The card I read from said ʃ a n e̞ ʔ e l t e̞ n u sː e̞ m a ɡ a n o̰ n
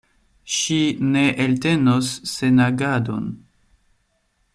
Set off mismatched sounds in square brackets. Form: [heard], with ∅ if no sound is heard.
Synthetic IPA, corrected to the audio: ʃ [i] n e̞ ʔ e l t e̞ n [o] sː e̞ [n] a ɡ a [d] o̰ n